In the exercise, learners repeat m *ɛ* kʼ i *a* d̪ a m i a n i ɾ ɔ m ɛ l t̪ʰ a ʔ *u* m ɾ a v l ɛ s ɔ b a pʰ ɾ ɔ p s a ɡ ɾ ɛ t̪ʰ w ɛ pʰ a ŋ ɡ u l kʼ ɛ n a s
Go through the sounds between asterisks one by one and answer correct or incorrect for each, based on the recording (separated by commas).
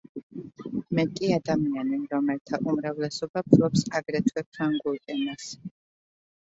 correct, correct, correct